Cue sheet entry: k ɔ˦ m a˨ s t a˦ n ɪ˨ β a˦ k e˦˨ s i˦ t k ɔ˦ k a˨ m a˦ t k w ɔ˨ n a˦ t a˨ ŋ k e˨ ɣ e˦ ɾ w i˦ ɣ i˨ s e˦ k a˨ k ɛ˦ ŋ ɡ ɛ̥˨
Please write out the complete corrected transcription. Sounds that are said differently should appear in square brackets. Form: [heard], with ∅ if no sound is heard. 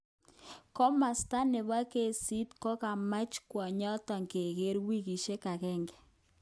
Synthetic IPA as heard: k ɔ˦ m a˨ s t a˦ n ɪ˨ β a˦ k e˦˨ s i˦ t k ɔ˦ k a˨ m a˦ [t͡ʃ] k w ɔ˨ [ɲ] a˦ t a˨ ŋ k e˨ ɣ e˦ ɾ w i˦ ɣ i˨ [ʃ] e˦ k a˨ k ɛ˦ ŋ ɡ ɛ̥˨